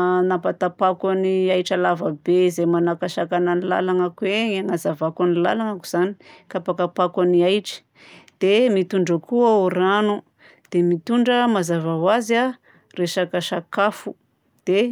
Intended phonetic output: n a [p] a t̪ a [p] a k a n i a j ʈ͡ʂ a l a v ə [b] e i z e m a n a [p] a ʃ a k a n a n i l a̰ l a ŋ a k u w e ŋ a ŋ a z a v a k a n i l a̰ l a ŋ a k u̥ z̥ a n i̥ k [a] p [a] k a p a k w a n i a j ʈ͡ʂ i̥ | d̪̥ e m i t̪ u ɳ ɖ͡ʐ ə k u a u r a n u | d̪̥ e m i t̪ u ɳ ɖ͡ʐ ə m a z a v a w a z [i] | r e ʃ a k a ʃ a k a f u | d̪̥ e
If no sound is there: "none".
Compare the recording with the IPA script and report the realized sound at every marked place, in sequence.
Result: p, p, b, k, a, a, a

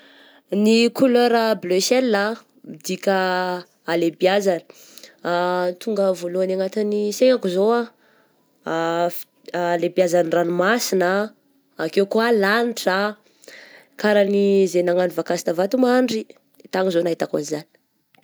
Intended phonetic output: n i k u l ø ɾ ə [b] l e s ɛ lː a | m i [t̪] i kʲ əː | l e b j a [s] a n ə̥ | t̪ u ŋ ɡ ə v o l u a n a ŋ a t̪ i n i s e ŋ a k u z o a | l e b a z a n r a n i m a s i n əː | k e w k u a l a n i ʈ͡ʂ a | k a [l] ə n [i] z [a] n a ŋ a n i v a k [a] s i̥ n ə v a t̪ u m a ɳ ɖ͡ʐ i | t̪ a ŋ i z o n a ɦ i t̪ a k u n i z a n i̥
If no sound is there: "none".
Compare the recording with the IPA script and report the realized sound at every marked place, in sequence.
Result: b, d̪, z, ɾ, i, e, a

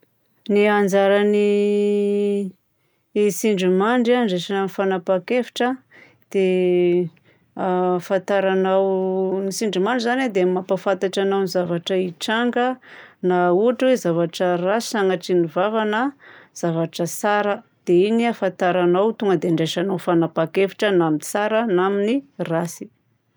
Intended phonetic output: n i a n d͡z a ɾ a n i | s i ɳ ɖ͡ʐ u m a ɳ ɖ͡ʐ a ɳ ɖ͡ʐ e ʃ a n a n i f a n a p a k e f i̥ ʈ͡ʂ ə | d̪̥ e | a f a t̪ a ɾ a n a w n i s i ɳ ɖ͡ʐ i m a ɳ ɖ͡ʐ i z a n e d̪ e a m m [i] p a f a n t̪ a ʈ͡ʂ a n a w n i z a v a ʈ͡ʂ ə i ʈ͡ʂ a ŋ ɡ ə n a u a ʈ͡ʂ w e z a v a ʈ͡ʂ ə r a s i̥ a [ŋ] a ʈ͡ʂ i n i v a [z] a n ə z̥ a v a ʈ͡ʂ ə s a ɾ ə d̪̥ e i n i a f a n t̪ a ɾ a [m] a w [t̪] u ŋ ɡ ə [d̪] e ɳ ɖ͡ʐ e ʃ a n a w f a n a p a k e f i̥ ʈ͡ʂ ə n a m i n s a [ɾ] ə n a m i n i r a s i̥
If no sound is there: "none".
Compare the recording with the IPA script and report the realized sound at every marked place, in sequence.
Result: a, ŋ, v, n, t̪, d̪, ɾ

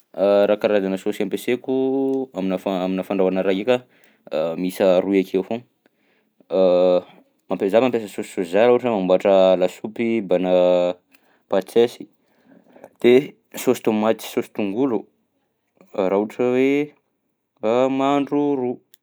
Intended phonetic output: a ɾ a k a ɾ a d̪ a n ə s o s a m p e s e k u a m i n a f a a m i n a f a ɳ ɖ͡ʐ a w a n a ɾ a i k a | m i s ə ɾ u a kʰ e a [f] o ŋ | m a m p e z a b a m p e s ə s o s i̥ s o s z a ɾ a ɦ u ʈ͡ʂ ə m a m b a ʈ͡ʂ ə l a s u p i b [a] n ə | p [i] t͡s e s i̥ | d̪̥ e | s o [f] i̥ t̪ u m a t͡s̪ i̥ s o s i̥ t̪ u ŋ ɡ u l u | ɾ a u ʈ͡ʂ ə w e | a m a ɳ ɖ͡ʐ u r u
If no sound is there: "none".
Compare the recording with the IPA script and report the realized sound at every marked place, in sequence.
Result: f, a, a, s

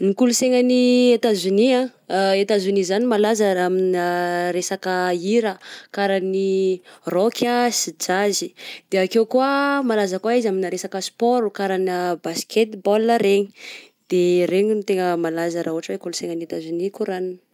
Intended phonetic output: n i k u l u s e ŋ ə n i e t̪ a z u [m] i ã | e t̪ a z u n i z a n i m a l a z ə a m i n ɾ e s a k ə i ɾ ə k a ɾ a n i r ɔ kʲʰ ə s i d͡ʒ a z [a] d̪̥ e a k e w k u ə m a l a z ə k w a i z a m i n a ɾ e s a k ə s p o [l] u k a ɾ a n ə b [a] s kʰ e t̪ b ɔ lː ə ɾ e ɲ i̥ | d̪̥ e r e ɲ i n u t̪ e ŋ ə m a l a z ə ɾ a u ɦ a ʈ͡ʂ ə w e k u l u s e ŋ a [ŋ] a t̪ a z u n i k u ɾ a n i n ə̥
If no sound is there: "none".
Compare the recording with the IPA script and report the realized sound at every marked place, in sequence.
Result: n, i, ɾ, a, n

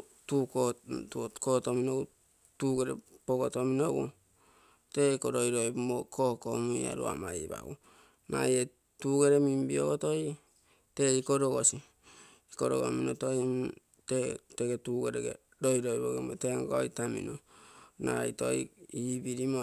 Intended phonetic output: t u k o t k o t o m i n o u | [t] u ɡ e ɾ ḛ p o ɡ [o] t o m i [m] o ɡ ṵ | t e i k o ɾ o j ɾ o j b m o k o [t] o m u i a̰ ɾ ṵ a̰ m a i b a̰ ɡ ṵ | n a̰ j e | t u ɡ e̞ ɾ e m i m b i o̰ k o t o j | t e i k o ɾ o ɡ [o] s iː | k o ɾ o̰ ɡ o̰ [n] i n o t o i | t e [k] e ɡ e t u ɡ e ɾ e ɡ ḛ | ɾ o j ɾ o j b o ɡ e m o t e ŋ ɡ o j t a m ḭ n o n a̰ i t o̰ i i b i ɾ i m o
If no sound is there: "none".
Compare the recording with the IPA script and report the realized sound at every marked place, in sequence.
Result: t, o, n, k, o, m, t

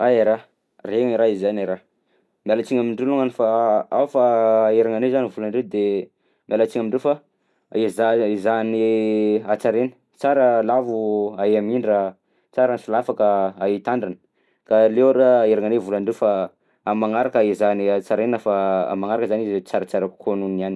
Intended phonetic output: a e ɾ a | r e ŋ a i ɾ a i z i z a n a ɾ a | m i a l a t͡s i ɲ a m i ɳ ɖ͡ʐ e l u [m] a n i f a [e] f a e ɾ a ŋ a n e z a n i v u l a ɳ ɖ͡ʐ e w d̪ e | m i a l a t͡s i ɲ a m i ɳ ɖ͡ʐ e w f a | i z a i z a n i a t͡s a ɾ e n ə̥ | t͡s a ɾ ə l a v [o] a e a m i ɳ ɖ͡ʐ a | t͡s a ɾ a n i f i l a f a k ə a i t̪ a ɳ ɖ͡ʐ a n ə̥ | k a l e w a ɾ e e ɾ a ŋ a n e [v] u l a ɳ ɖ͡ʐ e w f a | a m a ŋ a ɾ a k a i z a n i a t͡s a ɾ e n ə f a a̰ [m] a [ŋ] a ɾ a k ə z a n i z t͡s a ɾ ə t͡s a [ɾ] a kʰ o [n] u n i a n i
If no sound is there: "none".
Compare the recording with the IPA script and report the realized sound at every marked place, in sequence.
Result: ŋ, a, u, v, m, ŋ, ɾ, n

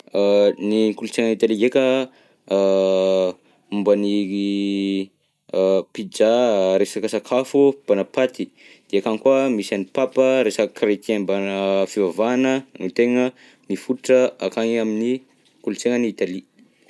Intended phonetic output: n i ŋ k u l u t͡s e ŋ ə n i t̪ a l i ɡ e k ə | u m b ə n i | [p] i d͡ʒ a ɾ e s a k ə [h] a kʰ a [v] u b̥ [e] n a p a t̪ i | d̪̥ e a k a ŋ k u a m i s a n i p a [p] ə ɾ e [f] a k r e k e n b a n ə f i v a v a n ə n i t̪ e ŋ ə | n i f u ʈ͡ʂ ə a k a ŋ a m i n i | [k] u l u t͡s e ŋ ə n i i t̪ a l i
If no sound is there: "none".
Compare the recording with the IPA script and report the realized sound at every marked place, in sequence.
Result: p, s, f, a, p, s, k

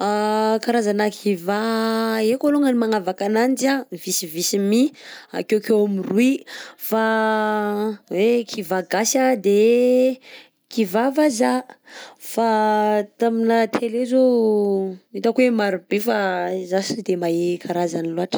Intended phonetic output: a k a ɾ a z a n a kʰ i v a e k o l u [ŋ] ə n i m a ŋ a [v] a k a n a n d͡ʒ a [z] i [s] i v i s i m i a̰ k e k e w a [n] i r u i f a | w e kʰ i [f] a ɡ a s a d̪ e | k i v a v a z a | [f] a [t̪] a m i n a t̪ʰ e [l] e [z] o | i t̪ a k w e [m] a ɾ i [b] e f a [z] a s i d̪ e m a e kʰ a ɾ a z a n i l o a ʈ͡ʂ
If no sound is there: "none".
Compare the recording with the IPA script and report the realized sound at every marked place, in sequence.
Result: ŋ, v, v, s, m, v, f, t̪, l, z, m, b, z

